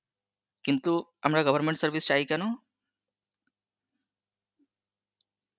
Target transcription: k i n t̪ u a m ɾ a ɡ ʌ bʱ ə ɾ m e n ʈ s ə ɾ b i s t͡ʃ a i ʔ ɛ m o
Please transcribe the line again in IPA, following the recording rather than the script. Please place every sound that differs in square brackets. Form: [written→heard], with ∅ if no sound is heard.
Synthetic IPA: k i n t̪ u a m ɾ a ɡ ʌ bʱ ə ɾ m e [n→ɳ] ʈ s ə ɾ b i s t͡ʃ a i [ʔ→k] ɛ [m→n] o